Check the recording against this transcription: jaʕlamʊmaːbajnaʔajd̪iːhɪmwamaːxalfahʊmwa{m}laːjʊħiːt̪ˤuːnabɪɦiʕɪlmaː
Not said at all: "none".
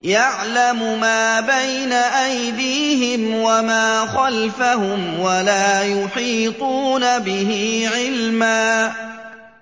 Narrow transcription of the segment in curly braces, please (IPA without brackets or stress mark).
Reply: none